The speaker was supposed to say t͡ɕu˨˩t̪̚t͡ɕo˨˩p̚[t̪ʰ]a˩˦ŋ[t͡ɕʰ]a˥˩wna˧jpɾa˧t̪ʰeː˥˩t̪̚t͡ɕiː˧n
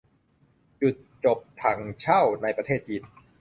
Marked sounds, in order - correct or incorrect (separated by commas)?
correct, correct